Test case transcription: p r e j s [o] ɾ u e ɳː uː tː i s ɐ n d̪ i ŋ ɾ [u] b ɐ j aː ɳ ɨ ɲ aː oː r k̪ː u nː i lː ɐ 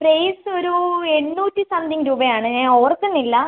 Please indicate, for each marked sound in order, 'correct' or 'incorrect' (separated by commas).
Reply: correct, incorrect